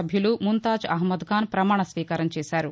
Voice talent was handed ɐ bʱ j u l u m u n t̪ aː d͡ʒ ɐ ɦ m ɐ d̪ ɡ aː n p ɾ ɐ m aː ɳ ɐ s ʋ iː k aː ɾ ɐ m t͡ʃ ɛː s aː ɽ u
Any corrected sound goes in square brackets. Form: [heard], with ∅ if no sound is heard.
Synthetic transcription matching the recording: ɐ bʱ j u l u m u n t̪ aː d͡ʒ ɐ ɦ m ɐ d̪ ɡ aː n p ɾ ɐ m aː ɳ ɐ s ʋ iː k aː ɾ ɐ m t͡ʃ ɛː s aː [ɾ] u

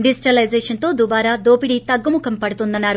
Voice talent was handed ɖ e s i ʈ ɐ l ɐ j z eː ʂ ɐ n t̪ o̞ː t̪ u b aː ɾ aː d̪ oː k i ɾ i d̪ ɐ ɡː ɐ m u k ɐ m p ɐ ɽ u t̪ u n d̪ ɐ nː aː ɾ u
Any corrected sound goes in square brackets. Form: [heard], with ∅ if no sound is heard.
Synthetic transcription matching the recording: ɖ [i] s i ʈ ɐ l ɐ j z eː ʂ ɐ n t̪ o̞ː [d̪] u b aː ɾ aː d̪ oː [p] i [ɽ] i [t̪] ɐ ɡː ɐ m u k ɐ m p ɐ ɽ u t̪ u n d̪ ɐ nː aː ɾ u

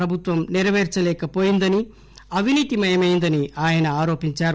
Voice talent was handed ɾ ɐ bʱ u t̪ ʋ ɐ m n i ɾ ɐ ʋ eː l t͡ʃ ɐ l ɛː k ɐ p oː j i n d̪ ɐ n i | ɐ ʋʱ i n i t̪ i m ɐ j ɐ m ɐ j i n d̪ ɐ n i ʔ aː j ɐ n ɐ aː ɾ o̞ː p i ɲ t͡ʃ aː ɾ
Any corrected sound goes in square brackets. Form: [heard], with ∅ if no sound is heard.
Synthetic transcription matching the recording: ɾ ɐ bʱ u t̪ ʋ ɐ m n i ɾ ɐ ʋ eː [ɾ] t͡ʃ ɐ l ɛː k ɐ p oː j i n d̪ ɐ n i | ɐ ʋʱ i n [iː] t̪ i m ɐ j ɐ m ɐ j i n d̪ ɐ n i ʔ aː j ɐ n ɐ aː ɾ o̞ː p i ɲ t͡ʃ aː ɾ

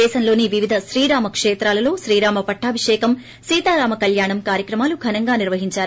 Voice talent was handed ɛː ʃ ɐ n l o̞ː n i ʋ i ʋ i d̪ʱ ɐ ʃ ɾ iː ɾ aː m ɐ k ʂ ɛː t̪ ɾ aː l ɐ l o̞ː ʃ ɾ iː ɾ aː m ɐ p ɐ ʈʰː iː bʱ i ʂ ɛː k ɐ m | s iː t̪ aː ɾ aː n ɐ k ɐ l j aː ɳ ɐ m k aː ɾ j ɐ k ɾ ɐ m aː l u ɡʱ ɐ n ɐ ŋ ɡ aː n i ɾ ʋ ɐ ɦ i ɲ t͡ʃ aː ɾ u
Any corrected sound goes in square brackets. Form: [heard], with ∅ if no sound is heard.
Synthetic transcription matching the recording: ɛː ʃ ɐ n l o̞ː n i ʋ i ʋ i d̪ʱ ɐ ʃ ɾ iː ɾ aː m ɐ k ʂ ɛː t̪ ɾ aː l ɐ l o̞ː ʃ ɾ iː ɾ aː m ɐ p ɐ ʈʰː [aː] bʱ i ʂ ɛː k ɐ m | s iː t̪ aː ɾ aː [m] ɐ k ɐ l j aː ɳ ɐ m k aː ɾ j ɐ k ɾ ɐ m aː l u ɡʱ ɐ n ɐ ŋ ɡ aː n i ɾ ʋ ɐ ɦ i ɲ t͡ʃ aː ɾ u

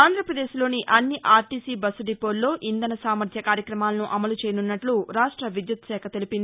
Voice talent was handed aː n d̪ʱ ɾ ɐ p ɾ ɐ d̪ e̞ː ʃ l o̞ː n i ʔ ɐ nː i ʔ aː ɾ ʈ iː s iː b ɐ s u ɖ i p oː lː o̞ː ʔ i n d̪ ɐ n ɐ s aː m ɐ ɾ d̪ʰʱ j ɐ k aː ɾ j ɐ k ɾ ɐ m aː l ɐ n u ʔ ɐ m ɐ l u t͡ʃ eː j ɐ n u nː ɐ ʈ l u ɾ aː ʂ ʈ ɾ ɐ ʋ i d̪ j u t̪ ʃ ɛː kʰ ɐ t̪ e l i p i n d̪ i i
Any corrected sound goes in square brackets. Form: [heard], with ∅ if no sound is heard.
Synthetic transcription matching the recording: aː n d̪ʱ ɾ ɐ p ɾ ɐ d̪ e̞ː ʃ l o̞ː n i ʔ ɐ nː i ʔ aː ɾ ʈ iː s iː b ɐ s u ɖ i p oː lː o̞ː ʔ i n d̪ ɐ n ɐ s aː m ɐ ɾ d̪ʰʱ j ɐ k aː ɾ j ɐ k ɾ ɐ m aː l ɐ n u ʔ ɐ m ɐ l u t͡ʃ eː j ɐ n u nː ɐ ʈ l u ɾ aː ʂ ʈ ɾ ɐ ʋ i d̪ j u t̪ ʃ ɛː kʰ ɐ t̪ e l i p i n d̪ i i

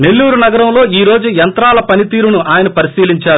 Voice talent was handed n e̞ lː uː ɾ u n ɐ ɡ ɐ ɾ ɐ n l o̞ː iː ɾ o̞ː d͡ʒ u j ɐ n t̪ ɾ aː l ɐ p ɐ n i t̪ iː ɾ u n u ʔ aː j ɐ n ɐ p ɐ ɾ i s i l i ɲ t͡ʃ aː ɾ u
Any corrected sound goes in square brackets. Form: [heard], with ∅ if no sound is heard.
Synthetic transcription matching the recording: n e̞ lː uː ɾ u n ɐ ɡ ɐ ɾ ɐ [m] l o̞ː iː ɾ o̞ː d͡ʒ u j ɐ n t̪ ɾ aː l ɐ p ɐ n i t̪ iː ɾ u n u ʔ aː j ɐ n ɐ p ɐ ɾ i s [iː] l i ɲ t͡ʃ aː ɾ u

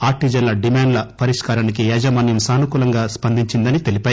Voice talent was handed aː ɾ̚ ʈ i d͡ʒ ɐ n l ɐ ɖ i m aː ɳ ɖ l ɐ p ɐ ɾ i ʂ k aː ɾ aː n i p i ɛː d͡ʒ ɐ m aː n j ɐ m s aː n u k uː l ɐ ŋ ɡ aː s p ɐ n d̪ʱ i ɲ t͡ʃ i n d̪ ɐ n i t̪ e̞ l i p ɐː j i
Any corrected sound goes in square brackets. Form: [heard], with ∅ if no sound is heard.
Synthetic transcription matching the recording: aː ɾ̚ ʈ i d͡ʒ ɐ n l ɐ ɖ i m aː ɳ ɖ l ɐ p ɐ ɾ i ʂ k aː ɾ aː n i [k] i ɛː d͡ʒ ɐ m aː n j ɐ m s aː n u k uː l ɐ ŋ ɡ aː s p ɐ n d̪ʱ i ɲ t͡ʃ i n d̪ ɐ n i t̪ e̞ l i p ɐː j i

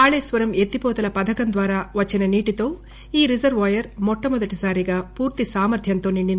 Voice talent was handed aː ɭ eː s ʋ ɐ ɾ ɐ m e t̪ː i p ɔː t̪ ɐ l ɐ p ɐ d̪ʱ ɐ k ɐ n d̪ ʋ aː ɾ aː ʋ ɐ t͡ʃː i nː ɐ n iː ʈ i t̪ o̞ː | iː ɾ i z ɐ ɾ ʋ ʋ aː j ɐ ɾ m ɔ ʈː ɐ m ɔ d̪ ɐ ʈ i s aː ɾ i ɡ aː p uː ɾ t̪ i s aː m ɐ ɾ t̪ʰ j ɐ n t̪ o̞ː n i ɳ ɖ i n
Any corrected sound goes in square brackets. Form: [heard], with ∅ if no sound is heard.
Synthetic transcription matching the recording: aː ɭ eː s ʋ ɐ ɾ ɐ m e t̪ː i p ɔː t̪ ɐ l ɐ p ɐ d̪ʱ ɐ k ɐ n d̪ ʋ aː ɾ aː ʋ ɐ t͡ʃː i [n] ɐ n iː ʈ i t̪ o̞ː | iː ɾ i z ɐ ɾ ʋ ʋ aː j ɐ ɾ m ɔ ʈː ɐ m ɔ d̪ ɐ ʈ i s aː ɾ i ɡ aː p uː ɾ t̪ i s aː m ɐ ɾ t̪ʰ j ɐ n t̪ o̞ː n i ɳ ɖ i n

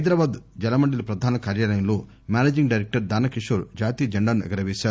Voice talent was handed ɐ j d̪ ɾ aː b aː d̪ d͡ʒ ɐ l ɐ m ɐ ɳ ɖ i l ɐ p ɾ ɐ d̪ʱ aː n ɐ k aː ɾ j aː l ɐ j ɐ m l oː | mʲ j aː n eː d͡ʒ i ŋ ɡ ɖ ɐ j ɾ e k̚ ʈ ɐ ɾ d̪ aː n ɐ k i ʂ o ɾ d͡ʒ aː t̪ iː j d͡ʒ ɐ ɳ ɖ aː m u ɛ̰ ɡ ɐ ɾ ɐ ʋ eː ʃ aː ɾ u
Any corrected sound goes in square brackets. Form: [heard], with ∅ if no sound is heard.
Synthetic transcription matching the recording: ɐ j d̪ ɾ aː b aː d̪ d͡ʒ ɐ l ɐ m ɐ ɳ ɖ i l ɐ p ɾ ɐ d̪ʱ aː n ɐ k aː ɾ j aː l ɐ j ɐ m l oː | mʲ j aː n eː d͡ʒ i ŋ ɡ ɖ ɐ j ɾ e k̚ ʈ ɐ ɾ d̪ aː n ɐ k i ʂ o ɾ d͡ʒ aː t̪ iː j d͡ʒ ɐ ɳ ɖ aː [n] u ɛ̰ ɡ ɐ ɾ ɐ ʋ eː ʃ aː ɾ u

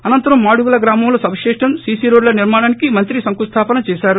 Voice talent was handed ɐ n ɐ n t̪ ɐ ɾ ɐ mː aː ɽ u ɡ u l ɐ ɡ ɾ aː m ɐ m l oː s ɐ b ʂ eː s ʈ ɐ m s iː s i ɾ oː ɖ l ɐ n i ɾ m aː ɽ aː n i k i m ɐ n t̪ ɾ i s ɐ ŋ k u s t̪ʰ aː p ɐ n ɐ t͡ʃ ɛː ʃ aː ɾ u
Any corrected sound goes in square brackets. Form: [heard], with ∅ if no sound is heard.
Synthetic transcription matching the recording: ɐ n ɐ n t̪ ɐ ɾ ɐ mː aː ɽ u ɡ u l ɐ ɡ ɾ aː m ɐ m l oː s ɐ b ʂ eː [ʂ] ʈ ɐ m s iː s i ɾ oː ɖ l ɐ n i ɾ m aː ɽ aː n i k i m ɐ n t̪ ɾ i s ɐ ŋ k u s t̪ʰ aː p ɐ n ɐ t͡ʃ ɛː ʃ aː ɾ u

